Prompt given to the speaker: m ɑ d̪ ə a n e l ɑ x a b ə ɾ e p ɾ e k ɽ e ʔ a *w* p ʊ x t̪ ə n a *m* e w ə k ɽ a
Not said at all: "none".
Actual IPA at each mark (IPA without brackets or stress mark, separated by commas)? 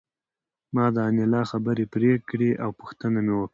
w, m